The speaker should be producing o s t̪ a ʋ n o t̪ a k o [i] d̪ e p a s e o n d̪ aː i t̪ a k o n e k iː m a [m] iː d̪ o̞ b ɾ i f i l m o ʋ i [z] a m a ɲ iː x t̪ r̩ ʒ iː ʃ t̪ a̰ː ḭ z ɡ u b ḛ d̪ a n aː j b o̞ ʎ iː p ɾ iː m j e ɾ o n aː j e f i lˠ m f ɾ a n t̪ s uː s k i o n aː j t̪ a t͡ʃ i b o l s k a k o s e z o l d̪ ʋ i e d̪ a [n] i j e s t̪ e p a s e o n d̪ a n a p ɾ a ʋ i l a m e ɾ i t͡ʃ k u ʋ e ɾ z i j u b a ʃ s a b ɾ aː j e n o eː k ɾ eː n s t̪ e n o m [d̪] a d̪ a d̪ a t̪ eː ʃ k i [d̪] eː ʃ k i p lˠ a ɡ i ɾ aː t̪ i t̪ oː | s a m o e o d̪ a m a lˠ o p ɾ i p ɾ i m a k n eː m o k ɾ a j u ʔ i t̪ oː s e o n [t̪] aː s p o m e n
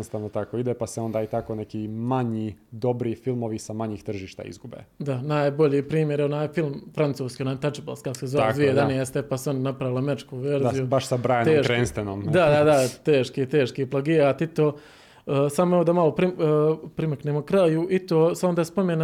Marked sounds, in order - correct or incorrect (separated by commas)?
correct, incorrect, incorrect, correct, correct, incorrect, incorrect